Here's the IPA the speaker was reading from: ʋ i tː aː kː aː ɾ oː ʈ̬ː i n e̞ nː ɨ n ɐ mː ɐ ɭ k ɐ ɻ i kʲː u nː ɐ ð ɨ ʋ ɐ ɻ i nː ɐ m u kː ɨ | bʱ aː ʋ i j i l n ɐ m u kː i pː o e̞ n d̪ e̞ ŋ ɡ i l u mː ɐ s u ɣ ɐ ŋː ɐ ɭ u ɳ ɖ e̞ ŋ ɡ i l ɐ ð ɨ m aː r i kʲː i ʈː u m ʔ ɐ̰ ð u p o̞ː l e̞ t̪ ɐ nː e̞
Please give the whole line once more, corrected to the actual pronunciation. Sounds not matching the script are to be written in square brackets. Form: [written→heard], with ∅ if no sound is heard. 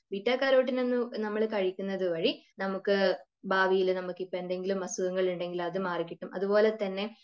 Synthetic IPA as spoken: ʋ i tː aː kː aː ɾ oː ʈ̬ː i n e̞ nː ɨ n ɐ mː ɐ ɭ k ɐ ɻ i kʲː u nː ɐ ð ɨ ʋ ɐ ɻ i [nː→n] ɐ m u kː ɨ | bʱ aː ʋ i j i l n ɐ m u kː i pː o e̞ n d̪ e̞ ŋ ɡ i l u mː ɐ s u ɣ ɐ ŋː ɐ ɭ u ɳ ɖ e̞ ŋ ɡ i l ɐ ð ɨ m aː r i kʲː i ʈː u m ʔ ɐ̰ ð u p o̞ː l e̞ t̪ ɐ nː e̞